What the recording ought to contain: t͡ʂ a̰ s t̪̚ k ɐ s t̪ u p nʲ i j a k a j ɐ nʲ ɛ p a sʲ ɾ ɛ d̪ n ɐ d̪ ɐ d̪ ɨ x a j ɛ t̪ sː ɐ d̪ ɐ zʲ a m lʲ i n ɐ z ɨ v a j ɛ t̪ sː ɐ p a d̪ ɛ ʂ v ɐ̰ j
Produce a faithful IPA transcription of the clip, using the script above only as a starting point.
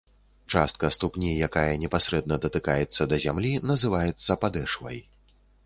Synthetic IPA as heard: t͡ʂ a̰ s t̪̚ k ɐ s t̪ u p nʲ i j a k a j ɐ nʲ ɛ p a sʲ ɾ ɛ d̪ n ɐ d̪ ɐ t̪ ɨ k a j ɛ t̪ sː ɐ d̪ ɐ zʲ a m lʲ i n ɐ z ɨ v a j ɛ t̪ sː ɐ p a d̪ ɛ ʂ v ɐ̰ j